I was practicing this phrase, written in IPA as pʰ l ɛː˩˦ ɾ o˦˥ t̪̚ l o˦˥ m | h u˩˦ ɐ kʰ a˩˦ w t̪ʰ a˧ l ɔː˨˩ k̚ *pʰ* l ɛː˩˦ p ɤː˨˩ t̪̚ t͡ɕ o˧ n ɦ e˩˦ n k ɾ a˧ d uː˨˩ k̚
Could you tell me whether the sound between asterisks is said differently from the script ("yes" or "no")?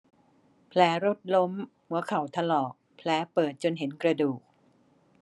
no